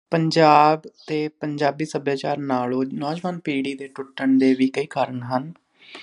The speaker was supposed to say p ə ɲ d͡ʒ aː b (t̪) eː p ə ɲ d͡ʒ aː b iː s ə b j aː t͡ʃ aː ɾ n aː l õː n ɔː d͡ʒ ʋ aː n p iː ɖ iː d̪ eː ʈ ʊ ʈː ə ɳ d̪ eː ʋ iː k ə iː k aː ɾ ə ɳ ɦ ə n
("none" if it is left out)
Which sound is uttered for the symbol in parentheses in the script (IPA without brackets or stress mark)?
t̪